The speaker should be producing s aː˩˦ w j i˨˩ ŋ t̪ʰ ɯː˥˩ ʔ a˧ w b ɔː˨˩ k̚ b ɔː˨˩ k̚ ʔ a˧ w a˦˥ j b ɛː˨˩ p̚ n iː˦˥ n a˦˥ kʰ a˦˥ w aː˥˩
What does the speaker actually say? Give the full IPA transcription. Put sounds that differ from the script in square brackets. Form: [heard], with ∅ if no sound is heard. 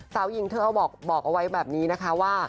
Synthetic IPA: s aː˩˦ w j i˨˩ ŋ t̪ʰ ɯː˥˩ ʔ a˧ w b ɔː˨˩ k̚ b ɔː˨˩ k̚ ʔ a˧ w a˦˥ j b ɛː˨˩ p̚ n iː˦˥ n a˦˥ kʰ a˦˥ w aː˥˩

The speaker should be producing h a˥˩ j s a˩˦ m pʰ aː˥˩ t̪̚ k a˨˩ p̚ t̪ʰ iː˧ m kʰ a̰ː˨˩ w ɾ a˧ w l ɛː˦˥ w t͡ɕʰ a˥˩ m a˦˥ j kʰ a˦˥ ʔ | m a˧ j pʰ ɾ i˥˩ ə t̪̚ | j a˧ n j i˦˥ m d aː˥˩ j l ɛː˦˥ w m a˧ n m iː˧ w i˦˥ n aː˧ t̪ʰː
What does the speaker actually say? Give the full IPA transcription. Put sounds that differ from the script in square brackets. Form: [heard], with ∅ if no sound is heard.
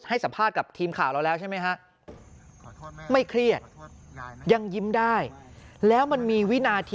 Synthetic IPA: h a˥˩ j s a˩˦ m pʰ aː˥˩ t̪̚ k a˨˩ p̚ t̪ʰ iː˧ m kʰ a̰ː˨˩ w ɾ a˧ w l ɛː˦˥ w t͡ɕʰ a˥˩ m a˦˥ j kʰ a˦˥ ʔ | m [a˥˩] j [kʰ] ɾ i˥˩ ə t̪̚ | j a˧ [ŋ] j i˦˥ m d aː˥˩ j l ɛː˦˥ w m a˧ n m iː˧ w i˦˥ n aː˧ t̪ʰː

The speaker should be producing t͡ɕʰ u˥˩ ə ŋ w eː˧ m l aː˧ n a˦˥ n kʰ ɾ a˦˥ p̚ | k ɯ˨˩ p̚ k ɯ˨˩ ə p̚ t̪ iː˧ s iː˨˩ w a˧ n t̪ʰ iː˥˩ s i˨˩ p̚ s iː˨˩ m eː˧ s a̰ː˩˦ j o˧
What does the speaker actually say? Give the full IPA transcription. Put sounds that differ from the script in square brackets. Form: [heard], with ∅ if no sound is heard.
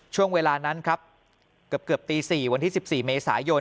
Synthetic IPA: t͡ɕʰ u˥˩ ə ŋ w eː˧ [∅] l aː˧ n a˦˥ n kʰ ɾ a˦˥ p̚ | k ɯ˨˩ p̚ k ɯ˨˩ ə p̚ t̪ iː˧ s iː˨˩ w a˧ n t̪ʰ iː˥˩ s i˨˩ p̚ s iː˨˩ m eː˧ s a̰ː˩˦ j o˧

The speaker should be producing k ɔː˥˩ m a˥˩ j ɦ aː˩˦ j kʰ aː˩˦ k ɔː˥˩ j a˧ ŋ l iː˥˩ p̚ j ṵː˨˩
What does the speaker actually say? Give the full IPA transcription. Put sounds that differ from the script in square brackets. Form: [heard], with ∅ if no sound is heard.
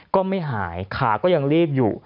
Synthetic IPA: k ɔː˥˩ m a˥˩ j ɦ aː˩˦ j kʰ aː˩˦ k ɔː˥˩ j a˧ ŋ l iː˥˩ p̚ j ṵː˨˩

